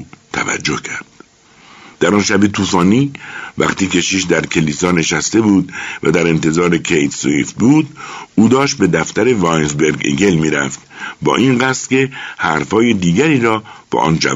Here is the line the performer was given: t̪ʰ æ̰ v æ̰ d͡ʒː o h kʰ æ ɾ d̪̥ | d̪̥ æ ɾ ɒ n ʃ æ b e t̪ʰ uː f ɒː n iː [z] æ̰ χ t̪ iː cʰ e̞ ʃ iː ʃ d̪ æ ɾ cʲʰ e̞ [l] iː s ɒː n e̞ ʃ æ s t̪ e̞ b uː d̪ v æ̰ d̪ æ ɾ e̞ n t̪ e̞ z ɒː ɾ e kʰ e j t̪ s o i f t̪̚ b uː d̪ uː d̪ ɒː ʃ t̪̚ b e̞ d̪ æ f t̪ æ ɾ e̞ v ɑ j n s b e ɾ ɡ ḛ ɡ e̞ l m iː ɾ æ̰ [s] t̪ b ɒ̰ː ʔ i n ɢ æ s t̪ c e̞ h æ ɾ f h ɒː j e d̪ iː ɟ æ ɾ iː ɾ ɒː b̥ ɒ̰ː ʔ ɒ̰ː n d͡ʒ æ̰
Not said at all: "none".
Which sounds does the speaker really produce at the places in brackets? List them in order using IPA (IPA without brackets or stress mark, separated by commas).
v, l, f